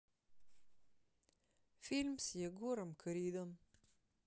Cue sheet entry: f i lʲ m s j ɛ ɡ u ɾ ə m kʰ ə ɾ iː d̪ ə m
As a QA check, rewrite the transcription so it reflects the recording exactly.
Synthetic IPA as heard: f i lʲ m s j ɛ ɡ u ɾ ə m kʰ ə ɾ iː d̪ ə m